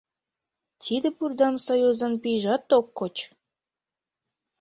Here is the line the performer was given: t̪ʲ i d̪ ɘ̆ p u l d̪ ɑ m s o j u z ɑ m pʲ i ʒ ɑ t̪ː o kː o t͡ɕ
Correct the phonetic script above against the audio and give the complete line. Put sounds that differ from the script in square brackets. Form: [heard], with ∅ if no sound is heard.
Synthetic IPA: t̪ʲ i d̪ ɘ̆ p u [r] d̪ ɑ m s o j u z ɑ [n] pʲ i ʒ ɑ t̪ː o kː o t͡ɕ